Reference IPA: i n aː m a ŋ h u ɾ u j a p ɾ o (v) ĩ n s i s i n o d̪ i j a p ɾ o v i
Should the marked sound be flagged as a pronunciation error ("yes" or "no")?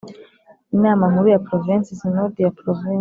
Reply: no